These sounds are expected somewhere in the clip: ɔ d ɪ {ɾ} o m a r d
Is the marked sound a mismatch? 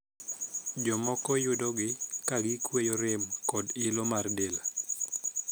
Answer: yes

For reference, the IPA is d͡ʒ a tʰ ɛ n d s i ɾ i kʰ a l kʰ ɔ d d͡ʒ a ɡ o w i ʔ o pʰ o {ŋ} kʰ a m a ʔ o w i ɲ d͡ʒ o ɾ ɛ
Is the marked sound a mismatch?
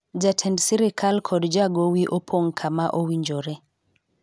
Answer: no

